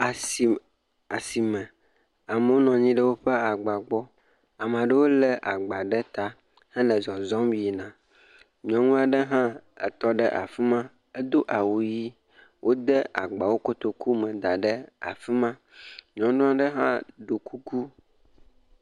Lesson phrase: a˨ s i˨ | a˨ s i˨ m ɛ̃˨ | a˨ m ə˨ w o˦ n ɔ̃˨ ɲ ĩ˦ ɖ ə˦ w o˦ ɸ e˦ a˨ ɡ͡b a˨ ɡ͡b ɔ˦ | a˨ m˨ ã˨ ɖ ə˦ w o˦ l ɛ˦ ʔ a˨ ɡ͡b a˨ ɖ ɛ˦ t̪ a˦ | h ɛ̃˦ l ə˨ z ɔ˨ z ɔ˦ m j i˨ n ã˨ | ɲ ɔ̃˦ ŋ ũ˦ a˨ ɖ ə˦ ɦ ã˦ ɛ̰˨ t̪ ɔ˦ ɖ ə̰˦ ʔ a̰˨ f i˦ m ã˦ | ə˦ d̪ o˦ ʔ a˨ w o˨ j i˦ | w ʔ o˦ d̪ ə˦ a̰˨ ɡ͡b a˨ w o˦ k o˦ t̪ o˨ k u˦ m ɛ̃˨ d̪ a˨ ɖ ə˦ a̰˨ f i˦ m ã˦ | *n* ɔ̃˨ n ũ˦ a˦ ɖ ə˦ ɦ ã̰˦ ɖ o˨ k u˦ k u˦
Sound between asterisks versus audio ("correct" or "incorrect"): incorrect